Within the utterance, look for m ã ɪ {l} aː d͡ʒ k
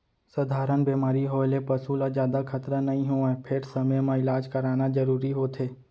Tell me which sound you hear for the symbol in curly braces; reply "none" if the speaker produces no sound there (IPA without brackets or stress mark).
l